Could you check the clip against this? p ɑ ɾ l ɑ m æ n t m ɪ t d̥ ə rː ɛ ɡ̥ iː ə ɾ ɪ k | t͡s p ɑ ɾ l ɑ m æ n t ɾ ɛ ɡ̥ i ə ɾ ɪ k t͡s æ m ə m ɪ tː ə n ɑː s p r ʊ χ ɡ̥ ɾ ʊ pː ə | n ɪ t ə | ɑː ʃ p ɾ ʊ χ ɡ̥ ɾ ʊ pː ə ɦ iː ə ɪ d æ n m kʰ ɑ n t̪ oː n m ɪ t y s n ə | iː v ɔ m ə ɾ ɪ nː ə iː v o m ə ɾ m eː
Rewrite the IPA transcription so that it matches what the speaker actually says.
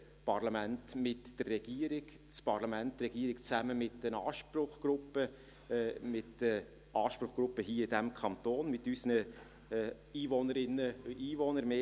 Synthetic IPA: p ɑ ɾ l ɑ m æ n t m ɪ t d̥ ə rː ɛ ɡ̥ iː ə ɾ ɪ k | t͡s p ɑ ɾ l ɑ m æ n t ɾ ɛ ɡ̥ i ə ɾ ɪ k t͡s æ m ə m ɪ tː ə n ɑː ʃ p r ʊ χ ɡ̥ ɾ ʊ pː ə | m ɪ t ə | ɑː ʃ p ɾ ʊ χ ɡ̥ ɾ ʊ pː ə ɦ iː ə ɪ d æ m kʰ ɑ n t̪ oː n m ɪ t y s n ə | iː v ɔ n ə ɾ ɪ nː ə iː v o n ə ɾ m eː